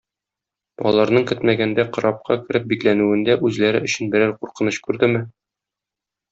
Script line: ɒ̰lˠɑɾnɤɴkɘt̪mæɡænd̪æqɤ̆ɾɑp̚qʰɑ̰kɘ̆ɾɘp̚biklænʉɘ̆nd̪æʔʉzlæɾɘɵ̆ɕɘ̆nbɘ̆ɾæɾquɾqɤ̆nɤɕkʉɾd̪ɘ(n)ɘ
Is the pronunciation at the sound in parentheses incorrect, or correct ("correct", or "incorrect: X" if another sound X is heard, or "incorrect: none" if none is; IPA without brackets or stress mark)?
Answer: incorrect: m